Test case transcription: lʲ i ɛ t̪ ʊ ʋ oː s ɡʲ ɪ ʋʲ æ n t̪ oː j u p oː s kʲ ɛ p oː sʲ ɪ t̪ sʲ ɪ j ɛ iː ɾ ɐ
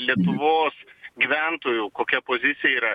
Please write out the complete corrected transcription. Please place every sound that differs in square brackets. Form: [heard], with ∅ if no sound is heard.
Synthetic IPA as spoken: lʲ i ɛ t̪ ʊ ʋ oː s ɡʲ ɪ ʋʲ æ n t̪ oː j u [k] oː [∅] kʲ ɛ p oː [zʲ] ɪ t̪ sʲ ɪ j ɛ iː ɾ ɐ